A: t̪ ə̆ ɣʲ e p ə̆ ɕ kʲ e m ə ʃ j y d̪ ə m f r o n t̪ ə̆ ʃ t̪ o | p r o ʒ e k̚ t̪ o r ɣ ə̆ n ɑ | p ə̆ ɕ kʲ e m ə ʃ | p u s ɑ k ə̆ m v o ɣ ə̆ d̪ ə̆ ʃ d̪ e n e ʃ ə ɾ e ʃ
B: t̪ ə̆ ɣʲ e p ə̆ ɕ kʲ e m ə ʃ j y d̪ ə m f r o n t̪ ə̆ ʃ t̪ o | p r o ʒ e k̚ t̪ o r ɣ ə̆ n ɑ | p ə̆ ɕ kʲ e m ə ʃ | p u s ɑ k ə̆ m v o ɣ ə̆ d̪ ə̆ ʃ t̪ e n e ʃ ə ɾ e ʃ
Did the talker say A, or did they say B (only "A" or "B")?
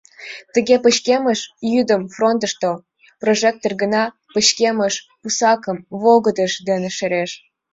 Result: A